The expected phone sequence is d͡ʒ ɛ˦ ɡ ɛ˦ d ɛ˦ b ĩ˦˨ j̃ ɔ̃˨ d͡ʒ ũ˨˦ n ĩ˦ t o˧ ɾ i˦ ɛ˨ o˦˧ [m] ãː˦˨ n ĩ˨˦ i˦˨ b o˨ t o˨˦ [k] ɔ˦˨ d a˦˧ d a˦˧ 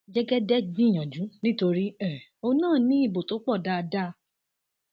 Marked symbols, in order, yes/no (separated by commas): no, no